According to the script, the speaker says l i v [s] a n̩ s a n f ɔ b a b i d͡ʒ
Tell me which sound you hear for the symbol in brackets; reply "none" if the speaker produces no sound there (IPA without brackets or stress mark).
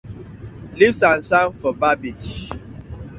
s